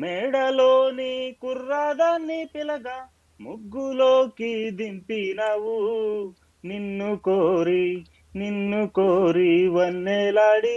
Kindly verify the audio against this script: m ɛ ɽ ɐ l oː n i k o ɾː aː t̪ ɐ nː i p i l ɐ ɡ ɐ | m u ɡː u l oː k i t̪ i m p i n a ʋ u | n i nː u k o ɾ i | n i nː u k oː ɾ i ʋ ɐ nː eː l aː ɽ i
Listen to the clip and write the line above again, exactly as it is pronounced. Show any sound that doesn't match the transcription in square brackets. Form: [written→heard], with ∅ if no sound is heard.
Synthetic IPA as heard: m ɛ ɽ ɐ l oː n i k [o→u] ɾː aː [t̪→d̪] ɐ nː i p i l ɐ ɡ ɐ | m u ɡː u l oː k i [t̪→d̪] i m p i n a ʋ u | n i nː u k o ɾ i | n i nː u k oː ɾ i ʋ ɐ nː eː l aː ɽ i